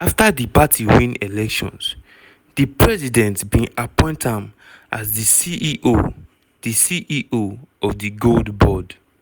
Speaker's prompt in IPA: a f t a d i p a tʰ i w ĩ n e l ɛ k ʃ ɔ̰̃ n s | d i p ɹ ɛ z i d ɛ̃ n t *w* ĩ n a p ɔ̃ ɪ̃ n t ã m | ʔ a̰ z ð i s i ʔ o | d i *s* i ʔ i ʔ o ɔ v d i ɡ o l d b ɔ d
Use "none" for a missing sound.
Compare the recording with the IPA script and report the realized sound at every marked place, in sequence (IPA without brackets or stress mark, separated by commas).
b, s